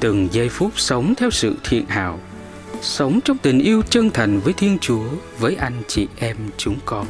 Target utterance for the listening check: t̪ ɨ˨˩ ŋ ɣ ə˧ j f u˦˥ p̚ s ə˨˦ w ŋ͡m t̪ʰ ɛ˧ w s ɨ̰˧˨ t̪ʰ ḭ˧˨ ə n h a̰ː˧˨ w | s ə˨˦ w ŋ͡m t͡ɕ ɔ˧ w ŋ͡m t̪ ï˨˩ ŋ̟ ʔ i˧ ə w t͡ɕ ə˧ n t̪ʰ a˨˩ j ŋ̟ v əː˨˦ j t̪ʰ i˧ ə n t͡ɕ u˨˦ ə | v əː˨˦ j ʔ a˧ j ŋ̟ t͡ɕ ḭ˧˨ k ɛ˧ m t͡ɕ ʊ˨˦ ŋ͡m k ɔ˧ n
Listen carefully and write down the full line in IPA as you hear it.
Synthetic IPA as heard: t̪ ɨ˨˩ ŋ z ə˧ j f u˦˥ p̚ s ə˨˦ w ŋ͡m t̪ʰ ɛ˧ w s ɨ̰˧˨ t̪ʰ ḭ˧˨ ə n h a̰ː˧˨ w | s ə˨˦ w ŋ͡m t͡ɕ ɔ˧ w ŋ͡m t̪ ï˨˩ ŋ̟ ʔ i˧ ə w t͡ɕ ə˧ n t̪ʰ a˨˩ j ŋ̟ v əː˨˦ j t̪ʰ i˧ ə n t͡ɕ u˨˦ ə | v əː˨˦ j ʔ a˧ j ŋ̟ t͡ɕ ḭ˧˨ ʔ ɛ˧ m t͡ɕ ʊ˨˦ ŋ͡m k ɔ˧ n